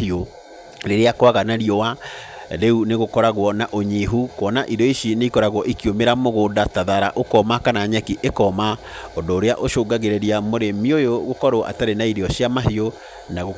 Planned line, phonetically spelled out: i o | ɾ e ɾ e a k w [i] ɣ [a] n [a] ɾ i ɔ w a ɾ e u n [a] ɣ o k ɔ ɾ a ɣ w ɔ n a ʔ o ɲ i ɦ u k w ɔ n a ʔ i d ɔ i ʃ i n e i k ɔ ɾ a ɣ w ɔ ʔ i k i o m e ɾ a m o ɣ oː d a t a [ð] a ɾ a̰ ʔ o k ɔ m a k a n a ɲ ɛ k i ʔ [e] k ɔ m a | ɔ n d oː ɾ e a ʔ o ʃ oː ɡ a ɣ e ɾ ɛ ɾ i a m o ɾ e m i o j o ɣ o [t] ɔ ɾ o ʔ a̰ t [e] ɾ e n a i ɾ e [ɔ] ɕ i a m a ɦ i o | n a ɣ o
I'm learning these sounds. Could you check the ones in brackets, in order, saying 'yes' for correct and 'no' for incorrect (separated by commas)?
no, yes, yes, no, yes, yes, no, no, yes